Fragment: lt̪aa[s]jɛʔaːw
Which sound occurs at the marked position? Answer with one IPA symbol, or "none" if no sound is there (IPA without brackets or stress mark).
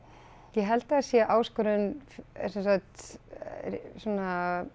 s